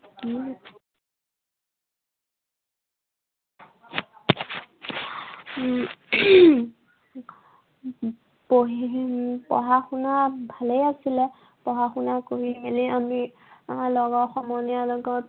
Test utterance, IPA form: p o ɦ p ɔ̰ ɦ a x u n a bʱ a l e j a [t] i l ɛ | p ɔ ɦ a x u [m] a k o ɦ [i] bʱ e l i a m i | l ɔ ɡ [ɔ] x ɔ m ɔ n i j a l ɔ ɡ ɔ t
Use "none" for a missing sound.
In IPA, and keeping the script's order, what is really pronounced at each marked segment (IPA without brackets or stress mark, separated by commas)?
s, n, i, ɔ